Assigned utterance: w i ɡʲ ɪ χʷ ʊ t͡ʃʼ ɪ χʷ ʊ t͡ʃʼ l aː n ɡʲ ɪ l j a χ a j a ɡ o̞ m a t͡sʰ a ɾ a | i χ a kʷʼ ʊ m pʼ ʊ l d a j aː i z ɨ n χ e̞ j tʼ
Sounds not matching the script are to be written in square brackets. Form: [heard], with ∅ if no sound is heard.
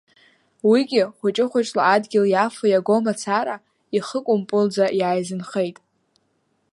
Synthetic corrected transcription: w i ɡʲ ɪ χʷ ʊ t͡ʃʼ ɪ χʷ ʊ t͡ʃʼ l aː [d] ɡʲ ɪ l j a [f] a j a ɡ o̞ m a t͡sʰ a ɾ a | i χ [ə] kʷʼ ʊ m pʼ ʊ l [d͡z] a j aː [j] z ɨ n χ e̞ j tʼ